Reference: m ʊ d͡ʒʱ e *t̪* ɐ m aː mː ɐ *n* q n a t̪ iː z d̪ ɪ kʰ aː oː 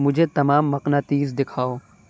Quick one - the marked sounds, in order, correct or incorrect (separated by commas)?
correct, incorrect